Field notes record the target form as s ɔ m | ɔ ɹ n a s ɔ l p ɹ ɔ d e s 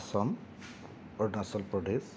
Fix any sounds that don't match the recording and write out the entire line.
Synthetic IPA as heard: s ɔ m | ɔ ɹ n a s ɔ l p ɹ ɔ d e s